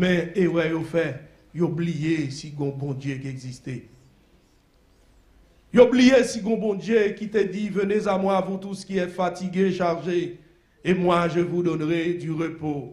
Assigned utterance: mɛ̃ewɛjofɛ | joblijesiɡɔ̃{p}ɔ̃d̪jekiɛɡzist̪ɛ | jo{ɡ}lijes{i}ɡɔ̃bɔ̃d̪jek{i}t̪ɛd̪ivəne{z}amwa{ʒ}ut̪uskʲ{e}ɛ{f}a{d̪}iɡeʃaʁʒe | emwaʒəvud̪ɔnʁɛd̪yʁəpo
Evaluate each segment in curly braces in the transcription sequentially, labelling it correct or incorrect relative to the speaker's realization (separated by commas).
incorrect, incorrect, correct, correct, correct, incorrect, incorrect, correct, incorrect